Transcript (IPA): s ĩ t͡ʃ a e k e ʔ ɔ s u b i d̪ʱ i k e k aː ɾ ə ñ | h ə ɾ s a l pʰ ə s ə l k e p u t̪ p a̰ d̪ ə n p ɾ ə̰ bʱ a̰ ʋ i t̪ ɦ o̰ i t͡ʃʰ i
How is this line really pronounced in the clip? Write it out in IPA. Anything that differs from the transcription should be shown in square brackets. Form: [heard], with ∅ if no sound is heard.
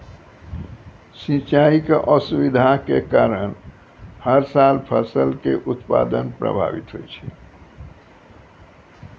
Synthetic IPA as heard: s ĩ t͡ʃ a [i] k e ʔ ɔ s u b i d̪ʱ [a] k e k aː ɾ ə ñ | h ə ɾ s a l pʰ ə s ə l k e [ʔ] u t̪ p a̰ d̪ ə n p ɾ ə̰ bʱ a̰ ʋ i t̪ ɦ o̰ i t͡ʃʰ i